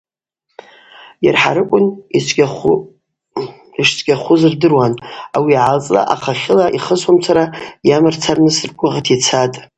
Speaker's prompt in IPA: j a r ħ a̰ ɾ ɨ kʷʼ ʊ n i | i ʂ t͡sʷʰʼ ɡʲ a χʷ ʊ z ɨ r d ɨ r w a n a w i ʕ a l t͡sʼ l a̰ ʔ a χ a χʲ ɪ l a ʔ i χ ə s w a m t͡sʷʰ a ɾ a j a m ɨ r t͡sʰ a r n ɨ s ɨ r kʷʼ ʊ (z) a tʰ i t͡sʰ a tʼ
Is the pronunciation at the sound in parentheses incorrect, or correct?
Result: incorrect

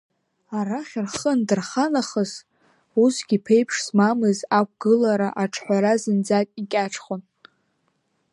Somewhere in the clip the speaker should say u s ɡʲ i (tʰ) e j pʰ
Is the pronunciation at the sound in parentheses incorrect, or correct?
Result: incorrect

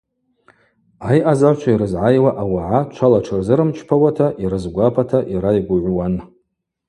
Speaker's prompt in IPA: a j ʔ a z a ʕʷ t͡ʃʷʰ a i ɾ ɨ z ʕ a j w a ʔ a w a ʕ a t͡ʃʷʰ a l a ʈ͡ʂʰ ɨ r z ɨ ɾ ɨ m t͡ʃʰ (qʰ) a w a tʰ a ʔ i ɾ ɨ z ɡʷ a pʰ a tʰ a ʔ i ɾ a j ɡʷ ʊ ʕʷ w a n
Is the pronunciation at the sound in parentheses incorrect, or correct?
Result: incorrect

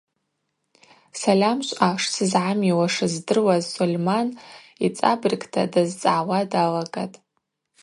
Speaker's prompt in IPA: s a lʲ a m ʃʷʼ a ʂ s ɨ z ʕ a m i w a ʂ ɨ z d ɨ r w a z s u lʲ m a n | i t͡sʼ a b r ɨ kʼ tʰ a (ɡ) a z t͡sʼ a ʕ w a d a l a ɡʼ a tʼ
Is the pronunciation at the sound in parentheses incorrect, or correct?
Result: incorrect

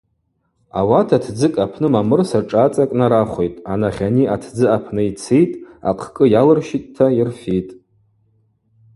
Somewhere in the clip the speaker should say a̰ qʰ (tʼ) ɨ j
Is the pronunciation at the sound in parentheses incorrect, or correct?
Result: incorrect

